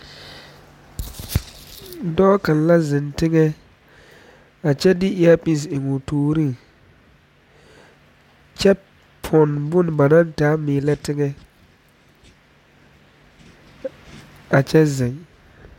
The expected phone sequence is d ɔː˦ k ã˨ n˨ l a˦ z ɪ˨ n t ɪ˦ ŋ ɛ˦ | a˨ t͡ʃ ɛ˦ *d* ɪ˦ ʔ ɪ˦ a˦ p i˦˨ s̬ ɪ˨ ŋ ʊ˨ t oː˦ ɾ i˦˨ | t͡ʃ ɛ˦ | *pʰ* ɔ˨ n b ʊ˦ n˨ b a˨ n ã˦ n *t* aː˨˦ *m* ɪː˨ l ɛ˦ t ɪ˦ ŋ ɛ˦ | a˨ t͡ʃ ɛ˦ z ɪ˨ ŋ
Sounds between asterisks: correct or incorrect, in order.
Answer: correct, correct, correct, correct

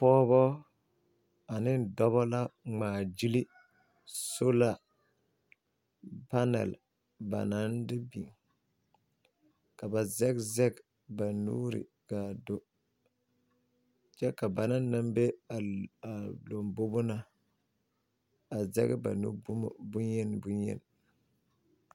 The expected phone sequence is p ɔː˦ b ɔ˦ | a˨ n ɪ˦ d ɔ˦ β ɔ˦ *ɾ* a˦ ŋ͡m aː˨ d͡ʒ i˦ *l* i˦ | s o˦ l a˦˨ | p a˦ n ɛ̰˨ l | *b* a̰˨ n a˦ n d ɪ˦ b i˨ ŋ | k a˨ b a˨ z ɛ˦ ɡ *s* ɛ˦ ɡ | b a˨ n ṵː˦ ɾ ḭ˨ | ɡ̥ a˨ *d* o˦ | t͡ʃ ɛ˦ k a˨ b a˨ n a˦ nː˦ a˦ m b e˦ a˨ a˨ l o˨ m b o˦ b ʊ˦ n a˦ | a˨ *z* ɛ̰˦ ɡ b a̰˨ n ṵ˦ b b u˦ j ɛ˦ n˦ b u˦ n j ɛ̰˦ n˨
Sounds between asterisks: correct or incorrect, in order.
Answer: incorrect, correct, correct, incorrect, correct, correct

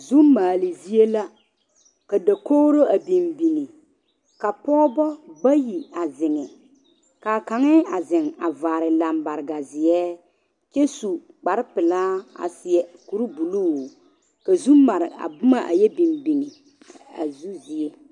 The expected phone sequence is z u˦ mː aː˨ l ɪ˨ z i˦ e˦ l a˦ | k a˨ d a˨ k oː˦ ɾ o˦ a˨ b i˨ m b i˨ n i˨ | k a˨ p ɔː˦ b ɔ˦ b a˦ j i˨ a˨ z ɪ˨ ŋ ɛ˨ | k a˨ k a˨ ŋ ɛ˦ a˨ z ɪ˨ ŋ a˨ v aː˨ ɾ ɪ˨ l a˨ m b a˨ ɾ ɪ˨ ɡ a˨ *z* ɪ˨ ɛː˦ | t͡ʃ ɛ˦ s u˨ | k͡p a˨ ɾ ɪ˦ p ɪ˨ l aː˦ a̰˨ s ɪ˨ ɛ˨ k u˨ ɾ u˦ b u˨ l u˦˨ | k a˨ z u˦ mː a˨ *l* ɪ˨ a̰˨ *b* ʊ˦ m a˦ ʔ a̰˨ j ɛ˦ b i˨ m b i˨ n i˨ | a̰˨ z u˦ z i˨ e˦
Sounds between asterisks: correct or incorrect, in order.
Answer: correct, incorrect, correct

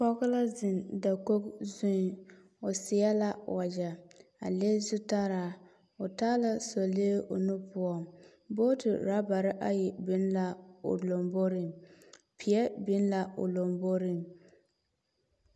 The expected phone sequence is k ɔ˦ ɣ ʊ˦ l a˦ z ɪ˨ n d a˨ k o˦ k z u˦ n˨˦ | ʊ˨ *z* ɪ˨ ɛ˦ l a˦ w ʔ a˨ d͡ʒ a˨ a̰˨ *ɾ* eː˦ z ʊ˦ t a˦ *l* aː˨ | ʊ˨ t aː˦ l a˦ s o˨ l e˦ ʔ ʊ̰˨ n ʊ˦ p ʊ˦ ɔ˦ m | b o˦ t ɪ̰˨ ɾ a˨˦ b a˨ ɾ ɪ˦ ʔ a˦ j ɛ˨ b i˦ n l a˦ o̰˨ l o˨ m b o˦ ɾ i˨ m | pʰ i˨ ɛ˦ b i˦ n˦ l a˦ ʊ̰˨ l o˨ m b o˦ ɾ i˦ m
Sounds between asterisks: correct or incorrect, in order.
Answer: incorrect, incorrect, incorrect

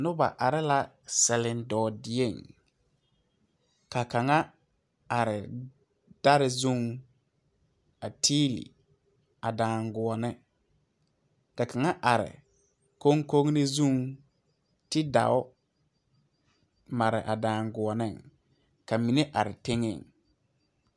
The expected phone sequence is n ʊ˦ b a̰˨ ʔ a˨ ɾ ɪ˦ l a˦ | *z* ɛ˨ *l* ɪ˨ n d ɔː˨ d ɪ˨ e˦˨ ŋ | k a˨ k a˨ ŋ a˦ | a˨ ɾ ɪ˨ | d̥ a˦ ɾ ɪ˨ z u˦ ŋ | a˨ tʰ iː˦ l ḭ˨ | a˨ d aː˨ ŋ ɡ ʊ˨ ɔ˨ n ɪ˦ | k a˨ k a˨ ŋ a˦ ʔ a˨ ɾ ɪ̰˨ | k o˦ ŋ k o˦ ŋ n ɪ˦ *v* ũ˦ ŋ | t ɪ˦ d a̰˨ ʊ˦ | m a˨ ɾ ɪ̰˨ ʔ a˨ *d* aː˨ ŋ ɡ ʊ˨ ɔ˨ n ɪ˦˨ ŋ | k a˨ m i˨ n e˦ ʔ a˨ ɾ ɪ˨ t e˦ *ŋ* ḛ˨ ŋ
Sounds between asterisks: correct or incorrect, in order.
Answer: incorrect, correct, incorrect, correct, correct

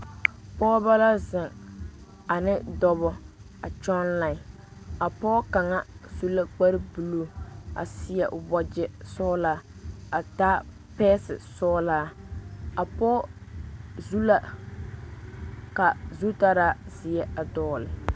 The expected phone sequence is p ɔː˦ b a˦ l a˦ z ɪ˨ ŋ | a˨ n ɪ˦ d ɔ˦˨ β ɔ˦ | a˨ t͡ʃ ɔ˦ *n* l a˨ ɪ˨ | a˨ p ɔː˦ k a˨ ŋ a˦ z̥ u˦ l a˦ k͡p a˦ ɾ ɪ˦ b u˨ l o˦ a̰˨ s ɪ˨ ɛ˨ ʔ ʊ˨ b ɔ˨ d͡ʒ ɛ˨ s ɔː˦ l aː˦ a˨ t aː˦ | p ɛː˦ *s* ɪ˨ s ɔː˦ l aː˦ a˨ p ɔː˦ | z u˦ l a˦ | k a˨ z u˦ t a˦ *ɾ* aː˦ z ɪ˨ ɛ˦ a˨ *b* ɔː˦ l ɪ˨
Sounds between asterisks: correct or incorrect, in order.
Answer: correct, correct, correct, incorrect

